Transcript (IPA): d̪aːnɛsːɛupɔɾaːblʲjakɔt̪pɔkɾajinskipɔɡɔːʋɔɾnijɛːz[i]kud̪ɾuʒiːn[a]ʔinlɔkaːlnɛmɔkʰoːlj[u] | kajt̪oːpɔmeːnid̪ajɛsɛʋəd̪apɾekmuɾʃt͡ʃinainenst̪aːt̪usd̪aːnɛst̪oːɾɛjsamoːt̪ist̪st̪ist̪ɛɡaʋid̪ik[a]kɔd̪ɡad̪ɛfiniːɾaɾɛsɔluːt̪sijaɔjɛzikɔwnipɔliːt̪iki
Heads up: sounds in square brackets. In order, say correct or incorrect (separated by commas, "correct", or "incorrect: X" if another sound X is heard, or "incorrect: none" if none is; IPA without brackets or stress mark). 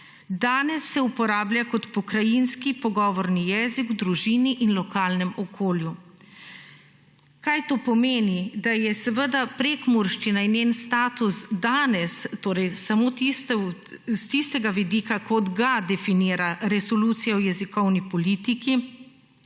correct, incorrect: i, correct, correct